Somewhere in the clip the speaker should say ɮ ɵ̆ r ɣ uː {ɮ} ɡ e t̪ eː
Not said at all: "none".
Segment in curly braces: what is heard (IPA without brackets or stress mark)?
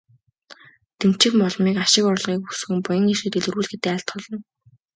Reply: ɮ